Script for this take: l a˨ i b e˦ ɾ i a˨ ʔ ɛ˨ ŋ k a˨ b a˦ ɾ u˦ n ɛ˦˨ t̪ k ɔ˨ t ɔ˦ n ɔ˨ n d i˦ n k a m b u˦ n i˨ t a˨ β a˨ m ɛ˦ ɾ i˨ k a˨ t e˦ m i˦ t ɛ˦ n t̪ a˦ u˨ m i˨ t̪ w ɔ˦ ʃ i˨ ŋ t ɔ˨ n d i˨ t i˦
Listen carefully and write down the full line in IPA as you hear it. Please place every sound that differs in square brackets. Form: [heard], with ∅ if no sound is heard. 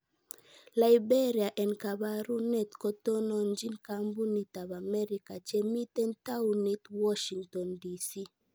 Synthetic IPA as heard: l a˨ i b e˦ ɾ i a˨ ʔ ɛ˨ [n] k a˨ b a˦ ɾ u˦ n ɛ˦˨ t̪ k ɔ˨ t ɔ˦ n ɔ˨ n [d͡ʒ] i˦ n k a m b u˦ n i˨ t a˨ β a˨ m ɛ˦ ɾ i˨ k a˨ [t͡ʃ] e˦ m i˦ t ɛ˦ n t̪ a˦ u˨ [n] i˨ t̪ w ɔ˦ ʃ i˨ ŋ t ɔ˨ n d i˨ [s] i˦

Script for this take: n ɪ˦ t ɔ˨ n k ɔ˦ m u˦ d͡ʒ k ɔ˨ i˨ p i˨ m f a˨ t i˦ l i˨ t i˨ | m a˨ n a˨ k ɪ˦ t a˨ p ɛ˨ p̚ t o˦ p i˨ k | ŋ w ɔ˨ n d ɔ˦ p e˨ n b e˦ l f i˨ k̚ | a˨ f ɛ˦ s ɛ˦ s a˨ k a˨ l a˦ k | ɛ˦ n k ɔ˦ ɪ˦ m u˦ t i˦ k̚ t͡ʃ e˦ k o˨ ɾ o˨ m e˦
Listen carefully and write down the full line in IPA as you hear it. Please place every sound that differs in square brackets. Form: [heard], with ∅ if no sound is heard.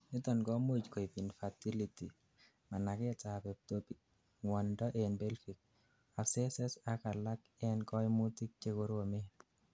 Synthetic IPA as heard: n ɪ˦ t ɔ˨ n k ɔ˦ m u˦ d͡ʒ k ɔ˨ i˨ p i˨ [n] f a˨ t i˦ l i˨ t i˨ | m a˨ n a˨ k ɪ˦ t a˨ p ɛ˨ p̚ t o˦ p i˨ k | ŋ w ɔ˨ n d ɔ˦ [ʔ] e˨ n b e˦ l f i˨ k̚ | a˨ [s] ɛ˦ s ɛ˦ s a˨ k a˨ l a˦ k | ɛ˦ n k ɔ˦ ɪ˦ m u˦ t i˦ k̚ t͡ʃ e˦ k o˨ ɾ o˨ m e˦

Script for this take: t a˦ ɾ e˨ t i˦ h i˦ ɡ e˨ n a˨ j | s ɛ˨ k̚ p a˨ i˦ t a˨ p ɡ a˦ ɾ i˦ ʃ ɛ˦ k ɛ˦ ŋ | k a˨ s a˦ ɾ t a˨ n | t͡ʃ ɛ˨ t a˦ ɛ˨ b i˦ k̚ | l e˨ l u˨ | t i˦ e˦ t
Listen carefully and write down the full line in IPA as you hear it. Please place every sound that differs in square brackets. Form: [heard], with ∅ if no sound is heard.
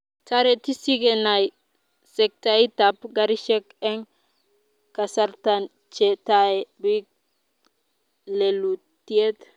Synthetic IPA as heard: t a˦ ɾ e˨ t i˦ [s] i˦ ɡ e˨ n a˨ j | s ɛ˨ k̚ [t] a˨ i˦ t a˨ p ɡ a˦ ɾ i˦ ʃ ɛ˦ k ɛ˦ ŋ | k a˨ s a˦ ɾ t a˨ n | t͡ʃ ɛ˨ t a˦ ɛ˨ b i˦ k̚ | l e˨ l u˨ | t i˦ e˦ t

